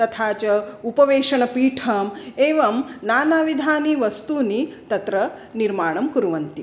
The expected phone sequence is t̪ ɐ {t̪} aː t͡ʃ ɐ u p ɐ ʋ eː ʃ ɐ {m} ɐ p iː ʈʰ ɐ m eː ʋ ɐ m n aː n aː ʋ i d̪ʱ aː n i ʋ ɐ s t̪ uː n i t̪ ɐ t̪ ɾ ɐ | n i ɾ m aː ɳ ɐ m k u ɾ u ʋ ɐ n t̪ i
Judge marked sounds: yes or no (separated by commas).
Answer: no, no